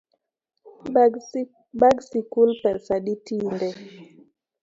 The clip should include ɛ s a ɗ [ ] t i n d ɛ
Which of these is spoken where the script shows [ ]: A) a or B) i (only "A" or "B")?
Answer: B